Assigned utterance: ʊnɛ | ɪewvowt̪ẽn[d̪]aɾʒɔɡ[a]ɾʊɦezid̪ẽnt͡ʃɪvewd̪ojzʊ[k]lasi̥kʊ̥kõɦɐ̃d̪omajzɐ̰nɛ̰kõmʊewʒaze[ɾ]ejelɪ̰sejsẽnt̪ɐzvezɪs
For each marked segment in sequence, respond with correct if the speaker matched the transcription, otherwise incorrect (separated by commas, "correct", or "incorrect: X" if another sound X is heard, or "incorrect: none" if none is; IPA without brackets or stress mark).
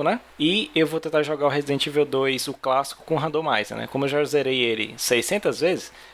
incorrect: t̪, correct, correct, correct